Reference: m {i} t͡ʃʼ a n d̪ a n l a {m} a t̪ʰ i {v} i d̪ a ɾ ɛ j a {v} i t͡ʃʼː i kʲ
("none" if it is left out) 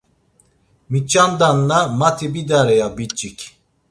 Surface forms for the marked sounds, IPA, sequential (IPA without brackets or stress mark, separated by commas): i, m, b, b